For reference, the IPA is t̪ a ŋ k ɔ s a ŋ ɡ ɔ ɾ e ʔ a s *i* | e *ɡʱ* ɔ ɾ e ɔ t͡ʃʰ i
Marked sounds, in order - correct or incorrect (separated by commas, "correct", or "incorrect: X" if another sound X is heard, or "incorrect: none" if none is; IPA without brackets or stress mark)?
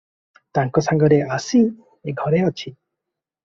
correct, correct